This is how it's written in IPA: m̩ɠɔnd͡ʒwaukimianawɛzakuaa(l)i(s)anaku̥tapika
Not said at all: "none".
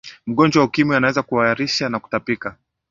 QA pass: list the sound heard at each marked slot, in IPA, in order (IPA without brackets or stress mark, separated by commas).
ɾ, ʃ